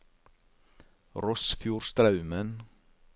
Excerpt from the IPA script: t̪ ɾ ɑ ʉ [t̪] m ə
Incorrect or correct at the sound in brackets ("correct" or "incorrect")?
incorrect